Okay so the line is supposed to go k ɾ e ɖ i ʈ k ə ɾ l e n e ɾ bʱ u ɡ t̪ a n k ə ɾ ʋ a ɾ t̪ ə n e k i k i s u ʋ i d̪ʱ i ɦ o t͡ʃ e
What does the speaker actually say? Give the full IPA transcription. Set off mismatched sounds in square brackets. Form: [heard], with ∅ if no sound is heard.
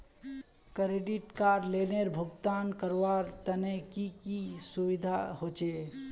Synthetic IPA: k ɾ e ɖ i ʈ k [a] ɾ l e n e ɾ bʱ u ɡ t̪ a n k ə ɾ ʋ a ɾ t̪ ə n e k i k i s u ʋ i d̪ʱ [a] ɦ o t͡ʃ e

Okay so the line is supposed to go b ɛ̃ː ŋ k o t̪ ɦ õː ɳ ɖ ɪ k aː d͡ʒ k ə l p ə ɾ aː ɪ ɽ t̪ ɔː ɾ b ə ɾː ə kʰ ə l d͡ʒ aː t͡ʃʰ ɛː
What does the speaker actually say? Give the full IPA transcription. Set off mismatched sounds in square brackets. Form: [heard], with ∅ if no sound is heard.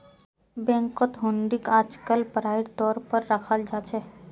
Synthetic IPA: b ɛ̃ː ŋ k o t̪ ɦ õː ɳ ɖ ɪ k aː d͡ʒ k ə l p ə ɾ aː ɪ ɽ t̪ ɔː ɾ [p] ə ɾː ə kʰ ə l d͡ʒ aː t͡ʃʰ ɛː

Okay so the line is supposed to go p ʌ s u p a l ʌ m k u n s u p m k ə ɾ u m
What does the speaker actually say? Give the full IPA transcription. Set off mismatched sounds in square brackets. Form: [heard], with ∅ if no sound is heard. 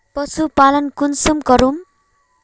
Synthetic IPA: p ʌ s u p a l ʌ [n] k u n s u [∅] m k [ʌ] ɾ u m

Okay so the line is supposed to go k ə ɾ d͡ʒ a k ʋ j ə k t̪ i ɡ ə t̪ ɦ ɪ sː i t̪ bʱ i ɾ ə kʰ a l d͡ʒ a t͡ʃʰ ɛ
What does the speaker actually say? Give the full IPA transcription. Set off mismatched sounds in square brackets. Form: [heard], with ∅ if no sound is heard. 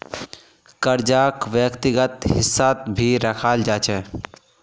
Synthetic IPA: k ə ɾ d͡ʒ a k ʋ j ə k t̪ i ɡ ə t̪ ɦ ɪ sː [a] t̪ bʱ i ɾ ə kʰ a l d͡ʒ a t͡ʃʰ ɛ

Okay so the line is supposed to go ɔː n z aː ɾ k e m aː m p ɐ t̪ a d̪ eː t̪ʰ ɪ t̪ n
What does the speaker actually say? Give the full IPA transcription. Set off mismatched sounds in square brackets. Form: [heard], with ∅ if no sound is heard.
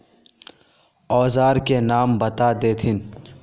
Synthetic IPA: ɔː [∅] z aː ɾ k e [n] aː m [b] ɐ t̪ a d̪ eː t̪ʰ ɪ [∅] n

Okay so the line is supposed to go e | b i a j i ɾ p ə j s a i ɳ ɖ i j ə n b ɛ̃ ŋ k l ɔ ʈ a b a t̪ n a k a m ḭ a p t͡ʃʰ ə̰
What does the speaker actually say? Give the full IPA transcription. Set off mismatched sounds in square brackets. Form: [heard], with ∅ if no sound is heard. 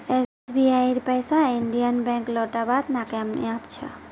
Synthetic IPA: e | b i a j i ɾ p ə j s a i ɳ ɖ i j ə n b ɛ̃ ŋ k l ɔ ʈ a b a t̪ n a k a m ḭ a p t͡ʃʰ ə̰

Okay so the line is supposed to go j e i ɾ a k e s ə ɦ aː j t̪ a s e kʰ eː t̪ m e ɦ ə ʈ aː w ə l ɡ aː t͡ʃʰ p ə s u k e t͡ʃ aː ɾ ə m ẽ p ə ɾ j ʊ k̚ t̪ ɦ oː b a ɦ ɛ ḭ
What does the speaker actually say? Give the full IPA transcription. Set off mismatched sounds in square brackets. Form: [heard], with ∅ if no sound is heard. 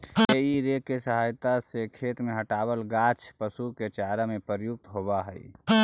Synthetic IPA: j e i ɾ [e] k e s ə ɦ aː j t̪ a s e kʰ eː t̪ m e ɦ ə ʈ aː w ə l ɡ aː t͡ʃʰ p ə s u k e t͡ʃ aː ɾ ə m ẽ p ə ɾ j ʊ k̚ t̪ ɦ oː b a ɦ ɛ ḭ

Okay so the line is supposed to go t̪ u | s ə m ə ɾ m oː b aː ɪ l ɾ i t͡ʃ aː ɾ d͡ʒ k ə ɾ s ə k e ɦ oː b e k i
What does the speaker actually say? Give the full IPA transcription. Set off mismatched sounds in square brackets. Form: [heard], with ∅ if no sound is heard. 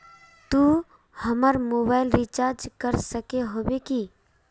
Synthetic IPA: t̪ u | [h] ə m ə ɾ m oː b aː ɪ l ɾ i t͡ʃ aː ɾ d͡ʒ k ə ɾ s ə k e ɦ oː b e k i

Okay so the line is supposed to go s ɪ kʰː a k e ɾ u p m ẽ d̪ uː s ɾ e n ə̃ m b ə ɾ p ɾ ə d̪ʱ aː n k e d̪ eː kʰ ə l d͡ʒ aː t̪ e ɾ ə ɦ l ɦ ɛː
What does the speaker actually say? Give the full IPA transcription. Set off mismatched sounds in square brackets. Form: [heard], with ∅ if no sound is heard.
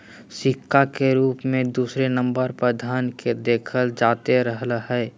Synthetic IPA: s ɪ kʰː a k e ɾ [uː] p m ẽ d̪ uː s ɾ e n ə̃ m b ə ɾ p ɾ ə d̪ʱ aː n k e d̪ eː kʰ ə l d͡ʒ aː t̪ e ɾ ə ɦ l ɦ ɛː

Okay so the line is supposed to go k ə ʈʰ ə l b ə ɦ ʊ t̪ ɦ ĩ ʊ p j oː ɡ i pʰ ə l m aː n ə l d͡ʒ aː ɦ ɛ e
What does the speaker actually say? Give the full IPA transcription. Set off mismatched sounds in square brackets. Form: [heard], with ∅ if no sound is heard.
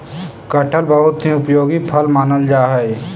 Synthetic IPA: k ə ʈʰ ə l b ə ɦ ʊ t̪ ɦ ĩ ʊ p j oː ɡ i pʰ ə l m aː n ə l d͡ʒ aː ɦ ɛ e

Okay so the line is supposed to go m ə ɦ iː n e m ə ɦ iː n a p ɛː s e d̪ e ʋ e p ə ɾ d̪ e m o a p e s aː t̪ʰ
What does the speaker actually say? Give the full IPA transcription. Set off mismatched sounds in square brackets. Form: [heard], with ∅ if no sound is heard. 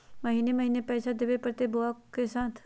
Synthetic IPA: m ə ɦ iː n e m ə ɦ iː n [e] p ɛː s [a] d̪ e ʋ e p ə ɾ [t̪] e [b] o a [k] e s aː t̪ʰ

